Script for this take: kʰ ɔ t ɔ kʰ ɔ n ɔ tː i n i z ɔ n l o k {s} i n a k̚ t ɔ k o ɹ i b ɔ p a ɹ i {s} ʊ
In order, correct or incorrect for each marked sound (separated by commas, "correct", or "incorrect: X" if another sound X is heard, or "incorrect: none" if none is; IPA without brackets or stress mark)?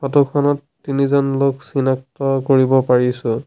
correct, correct